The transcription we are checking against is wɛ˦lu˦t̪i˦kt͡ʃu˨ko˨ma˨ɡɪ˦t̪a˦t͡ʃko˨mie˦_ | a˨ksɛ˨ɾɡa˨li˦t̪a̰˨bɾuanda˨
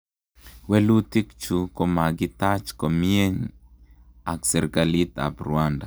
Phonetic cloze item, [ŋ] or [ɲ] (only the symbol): ɲ